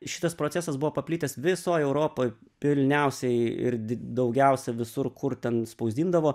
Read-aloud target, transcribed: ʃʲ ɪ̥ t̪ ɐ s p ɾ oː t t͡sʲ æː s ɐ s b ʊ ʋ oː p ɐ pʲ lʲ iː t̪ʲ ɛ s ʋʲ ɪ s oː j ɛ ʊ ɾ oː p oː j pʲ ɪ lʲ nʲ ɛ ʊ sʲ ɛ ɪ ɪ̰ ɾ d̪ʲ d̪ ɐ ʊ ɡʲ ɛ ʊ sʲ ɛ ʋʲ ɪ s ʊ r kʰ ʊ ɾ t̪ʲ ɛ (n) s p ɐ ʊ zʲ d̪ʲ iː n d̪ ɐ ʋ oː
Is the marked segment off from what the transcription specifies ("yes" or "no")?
no